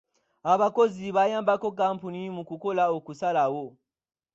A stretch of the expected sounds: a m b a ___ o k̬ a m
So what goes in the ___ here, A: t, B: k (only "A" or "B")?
B